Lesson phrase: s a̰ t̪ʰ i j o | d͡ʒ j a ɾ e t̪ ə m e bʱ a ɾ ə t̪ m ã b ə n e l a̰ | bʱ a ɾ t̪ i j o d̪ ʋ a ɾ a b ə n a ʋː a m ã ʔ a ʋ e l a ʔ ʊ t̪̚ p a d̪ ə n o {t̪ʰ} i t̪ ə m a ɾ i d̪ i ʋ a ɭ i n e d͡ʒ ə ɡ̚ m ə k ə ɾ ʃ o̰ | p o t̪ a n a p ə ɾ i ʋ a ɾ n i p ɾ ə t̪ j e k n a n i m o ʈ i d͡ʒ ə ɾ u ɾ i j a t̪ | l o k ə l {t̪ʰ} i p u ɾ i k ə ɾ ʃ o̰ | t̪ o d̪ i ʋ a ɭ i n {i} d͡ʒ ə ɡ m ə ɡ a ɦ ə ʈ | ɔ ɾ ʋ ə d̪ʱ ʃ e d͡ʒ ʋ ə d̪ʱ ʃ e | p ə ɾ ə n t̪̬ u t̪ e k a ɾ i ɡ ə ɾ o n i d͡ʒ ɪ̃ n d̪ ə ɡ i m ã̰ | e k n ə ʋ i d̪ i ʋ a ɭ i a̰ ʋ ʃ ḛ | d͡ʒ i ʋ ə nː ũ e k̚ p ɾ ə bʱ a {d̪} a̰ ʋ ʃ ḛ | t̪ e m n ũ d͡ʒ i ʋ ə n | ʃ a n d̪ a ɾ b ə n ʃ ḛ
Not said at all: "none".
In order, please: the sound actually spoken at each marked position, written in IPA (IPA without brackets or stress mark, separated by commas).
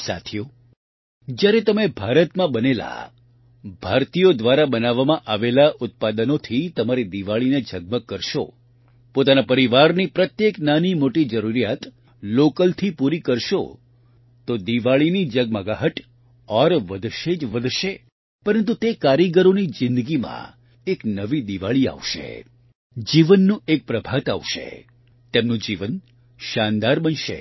t̪ʰ, t̪ʰ, i, t̪